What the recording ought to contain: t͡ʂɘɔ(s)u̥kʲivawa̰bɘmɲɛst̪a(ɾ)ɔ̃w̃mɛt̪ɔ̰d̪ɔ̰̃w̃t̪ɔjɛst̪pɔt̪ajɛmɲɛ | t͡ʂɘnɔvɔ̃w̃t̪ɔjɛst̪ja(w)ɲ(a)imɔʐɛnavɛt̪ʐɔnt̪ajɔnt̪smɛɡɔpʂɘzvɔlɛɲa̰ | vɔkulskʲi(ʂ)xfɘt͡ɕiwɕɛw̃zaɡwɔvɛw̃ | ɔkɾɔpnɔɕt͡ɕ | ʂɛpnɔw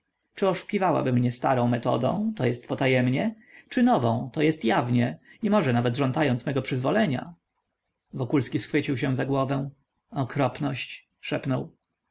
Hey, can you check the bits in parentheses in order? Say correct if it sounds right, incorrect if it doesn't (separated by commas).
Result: incorrect, correct, incorrect, incorrect, incorrect